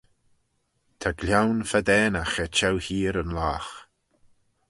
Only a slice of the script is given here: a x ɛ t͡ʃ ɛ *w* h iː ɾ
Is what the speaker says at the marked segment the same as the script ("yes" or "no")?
yes